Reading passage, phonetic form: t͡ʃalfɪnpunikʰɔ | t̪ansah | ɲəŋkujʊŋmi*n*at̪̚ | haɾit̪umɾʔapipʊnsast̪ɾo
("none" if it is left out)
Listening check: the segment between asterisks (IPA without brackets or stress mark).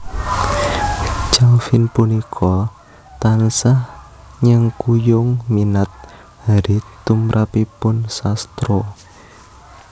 n